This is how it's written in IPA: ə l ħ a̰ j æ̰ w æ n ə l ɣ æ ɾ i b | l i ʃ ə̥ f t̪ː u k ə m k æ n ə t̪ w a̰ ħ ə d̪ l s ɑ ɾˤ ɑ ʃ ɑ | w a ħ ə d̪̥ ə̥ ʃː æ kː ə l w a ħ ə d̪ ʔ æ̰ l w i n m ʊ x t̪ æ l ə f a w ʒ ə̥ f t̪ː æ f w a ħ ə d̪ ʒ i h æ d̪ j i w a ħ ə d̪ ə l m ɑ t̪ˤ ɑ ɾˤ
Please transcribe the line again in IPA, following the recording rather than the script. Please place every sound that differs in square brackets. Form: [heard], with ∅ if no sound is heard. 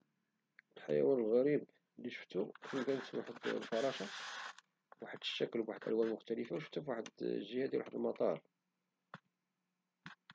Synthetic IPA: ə l ħ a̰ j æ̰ w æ n ə l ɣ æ ɾ i b | l i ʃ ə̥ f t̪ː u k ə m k æ n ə t̪ w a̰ ħ ə d̪ l [f] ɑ ɾˤ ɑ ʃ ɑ | w a ħ ə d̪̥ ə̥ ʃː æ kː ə l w a ħ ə d̪ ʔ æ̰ l w [æ] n m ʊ x t̪ æ l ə f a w [ʃ] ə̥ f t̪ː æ f w a ħ ə d̪ ʒ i h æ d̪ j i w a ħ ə d̪ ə l m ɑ t̪ˤ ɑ ɾˤ